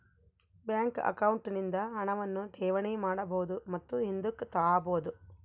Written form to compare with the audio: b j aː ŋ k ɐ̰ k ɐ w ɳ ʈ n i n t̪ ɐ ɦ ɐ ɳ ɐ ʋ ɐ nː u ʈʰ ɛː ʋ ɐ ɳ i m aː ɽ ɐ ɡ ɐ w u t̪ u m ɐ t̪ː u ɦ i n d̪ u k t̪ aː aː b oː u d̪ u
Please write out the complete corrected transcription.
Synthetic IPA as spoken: b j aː ŋ k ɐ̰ k ɐ w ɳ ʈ n i n d̪ ɐ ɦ ɐ ɳ ɐ ʋ ɐ nː u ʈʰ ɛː ʋ ɐ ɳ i m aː ɽ ɐ b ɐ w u d̪ u m ɐ t̪ː u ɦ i n d̪ u k t̪ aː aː b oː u d̪ u